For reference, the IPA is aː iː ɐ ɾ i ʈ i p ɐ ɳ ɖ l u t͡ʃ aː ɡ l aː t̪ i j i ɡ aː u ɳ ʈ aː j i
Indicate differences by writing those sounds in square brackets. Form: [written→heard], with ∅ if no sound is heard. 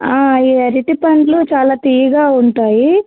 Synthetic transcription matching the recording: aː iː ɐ ɾ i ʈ i p ɐ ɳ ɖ l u t͡ʃ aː [ɡ→∅] l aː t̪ i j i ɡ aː u ɳ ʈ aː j i